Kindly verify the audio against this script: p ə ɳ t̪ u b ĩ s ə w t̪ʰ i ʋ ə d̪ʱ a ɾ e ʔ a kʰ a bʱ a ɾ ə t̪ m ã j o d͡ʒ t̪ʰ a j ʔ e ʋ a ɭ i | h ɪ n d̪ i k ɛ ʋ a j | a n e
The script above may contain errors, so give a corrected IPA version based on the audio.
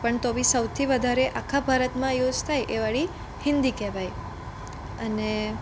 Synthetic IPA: p ə ɳ t̪ o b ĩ s ə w t̪ʰ i ʋ ə d̪ʱ a ɾ e ʔ a kʰ a bʱ a ɾ ə t̪ m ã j o d͡ʒ t̪ʰ a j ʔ e ʋ a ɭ i | h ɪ n d̪ i k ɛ ʋ a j | ə n e